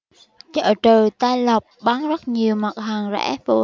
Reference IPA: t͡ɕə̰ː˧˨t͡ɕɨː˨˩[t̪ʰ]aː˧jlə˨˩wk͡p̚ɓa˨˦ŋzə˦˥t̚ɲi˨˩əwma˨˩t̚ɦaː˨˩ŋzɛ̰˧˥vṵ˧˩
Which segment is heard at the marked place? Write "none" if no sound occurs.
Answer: t̪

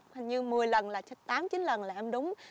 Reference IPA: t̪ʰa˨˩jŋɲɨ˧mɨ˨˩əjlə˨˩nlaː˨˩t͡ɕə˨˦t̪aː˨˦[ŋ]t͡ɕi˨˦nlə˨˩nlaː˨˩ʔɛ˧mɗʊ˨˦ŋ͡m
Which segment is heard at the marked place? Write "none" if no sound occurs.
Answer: m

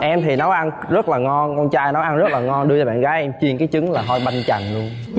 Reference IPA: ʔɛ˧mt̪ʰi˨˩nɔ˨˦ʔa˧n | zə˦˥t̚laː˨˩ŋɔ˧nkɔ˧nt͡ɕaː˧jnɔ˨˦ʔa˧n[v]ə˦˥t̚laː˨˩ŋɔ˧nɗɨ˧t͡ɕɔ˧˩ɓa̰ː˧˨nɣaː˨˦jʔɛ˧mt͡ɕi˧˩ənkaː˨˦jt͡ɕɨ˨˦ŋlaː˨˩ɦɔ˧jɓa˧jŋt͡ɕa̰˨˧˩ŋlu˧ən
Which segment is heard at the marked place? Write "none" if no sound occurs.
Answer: z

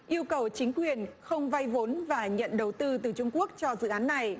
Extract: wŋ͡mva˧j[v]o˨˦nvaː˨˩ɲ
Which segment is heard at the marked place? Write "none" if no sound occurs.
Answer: v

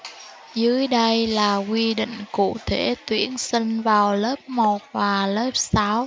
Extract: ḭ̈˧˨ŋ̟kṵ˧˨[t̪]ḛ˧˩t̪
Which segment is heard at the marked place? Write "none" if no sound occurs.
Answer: t̪ʰ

